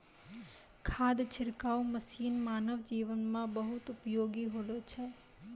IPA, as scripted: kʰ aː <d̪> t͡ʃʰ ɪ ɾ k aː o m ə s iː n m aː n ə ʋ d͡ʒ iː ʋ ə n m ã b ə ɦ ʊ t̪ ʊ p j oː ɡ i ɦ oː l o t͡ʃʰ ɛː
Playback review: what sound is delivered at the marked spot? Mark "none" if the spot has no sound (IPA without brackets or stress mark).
d̪